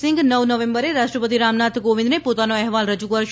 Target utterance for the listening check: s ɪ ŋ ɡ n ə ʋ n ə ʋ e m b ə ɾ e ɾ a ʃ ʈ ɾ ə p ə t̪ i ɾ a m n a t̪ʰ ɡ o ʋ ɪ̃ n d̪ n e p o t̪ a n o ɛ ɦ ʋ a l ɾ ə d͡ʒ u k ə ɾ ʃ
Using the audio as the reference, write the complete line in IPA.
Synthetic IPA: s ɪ ŋ ɡ n ə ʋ n ə ʋ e m b ə ɾ e ɾ a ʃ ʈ ɾ ə p ə t̪ i ɾ a m n a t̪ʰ ɡ o ʋ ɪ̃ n d̪ n e p o t̪ a n o ɛ ɦ ʋ a l ɾ ə d͡ʒ u k ə ɾ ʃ